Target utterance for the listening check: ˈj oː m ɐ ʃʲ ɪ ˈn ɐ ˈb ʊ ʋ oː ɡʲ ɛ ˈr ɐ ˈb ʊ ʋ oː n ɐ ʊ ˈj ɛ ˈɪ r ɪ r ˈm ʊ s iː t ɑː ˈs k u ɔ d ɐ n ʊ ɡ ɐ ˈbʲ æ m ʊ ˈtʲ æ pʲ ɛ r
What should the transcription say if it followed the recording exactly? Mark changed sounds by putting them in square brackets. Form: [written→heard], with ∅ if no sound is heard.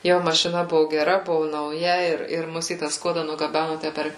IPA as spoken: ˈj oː m ɐ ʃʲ ɪ ˈn ɐ ˈb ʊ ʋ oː ɡʲ ɛ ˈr ɐ ˈb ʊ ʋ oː n ɐ ʊ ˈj ɛ ˈɪ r ɪ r ˈm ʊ s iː t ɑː ˈs k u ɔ d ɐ n ʊ ɡ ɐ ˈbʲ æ [m→n] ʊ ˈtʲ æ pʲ ɛ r